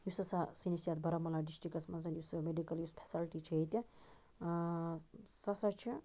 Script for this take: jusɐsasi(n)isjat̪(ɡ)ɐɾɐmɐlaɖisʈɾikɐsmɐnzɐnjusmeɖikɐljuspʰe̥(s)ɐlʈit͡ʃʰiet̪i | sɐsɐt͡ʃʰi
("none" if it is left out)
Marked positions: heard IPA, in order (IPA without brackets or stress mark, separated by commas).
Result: n, b, s